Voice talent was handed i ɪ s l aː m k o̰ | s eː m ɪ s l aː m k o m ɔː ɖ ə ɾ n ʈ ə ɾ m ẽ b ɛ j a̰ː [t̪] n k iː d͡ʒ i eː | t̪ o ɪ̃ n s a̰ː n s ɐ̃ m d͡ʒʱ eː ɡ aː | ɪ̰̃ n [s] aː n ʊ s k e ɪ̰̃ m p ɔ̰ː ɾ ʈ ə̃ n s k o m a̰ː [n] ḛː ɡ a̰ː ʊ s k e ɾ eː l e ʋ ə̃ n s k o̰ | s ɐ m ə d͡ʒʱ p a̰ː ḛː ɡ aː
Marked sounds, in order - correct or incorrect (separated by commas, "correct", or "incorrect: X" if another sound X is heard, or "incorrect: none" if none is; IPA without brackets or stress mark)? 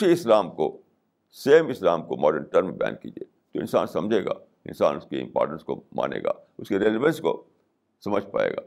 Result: incorrect: none, correct, correct